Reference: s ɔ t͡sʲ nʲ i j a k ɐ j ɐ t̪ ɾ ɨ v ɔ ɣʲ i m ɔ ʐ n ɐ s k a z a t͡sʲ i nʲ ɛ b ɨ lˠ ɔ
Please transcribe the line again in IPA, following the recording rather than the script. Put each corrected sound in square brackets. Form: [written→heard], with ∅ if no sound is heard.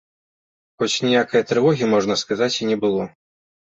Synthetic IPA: [s→x] ɔ t͡sʲ nʲ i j a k ɐ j ɐ t̪ ɾ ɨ v ɔ ɣʲ i m ɔ ʐ n ɐ s k a z a t͡sʲ i nʲ ɛ b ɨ lˠ ɔ